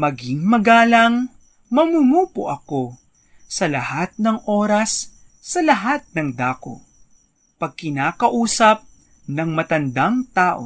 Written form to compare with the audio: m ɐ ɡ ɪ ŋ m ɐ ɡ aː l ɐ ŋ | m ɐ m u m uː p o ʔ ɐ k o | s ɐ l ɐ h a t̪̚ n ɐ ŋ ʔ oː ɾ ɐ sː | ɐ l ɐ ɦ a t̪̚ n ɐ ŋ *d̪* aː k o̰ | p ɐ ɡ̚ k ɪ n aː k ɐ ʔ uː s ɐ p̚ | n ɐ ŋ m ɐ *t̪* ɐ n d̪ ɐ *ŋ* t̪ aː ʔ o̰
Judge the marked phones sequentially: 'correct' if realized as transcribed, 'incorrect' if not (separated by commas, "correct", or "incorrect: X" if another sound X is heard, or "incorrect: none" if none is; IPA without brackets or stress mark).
correct, correct, correct